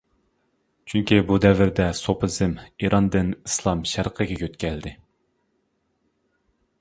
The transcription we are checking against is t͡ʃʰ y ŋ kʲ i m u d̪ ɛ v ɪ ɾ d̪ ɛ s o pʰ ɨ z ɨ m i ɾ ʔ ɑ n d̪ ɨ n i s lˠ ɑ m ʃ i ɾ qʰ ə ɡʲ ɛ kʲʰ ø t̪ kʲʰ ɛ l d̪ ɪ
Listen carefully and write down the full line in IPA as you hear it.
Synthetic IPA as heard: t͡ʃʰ y ŋ kʲ i b u d̪ ɛ v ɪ ɾ d̪ ɛ s o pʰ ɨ z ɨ m i ɾ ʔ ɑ n d̪ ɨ n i s lˠ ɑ m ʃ æ ɾ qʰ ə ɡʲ ɛ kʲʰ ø t̪ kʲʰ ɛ l d̪ ɪ